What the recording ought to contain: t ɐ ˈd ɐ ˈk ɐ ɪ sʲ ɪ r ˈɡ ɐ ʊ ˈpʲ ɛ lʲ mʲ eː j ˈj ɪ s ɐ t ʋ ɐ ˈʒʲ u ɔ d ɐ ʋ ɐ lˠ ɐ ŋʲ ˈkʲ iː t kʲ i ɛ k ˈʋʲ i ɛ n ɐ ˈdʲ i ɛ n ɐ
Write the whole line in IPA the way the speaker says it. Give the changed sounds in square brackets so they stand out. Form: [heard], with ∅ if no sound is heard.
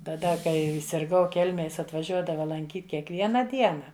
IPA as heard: t ɐ ˈd ɐ ˈk ɐ ɪ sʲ ɪ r ˈɡ ɐ ʊ [ˈkʲ] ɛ lʲ mʲ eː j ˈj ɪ s ɐ t ʋ ɐ ˈʒʲ u ɔ d ɐ ʋ ɐ lˠ ɐ ŋʲ ˈkʲ iː t kʲ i ɛ k ˈʋʲ i ɛ n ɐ ˈdʲ i ɛ n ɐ